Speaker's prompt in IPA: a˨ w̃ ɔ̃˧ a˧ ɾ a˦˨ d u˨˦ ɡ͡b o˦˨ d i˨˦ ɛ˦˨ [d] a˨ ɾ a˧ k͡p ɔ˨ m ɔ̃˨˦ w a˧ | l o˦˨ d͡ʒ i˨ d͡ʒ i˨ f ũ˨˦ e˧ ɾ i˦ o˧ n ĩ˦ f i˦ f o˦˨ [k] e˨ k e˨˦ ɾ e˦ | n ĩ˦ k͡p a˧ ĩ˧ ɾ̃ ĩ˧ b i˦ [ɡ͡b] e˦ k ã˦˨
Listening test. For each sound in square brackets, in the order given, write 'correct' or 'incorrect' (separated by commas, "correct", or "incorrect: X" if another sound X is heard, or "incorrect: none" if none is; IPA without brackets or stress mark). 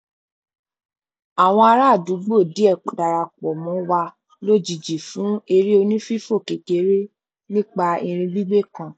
correct, correct, correct